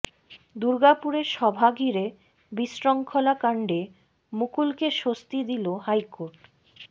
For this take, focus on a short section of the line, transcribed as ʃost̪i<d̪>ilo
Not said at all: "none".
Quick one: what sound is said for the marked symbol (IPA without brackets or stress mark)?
d̪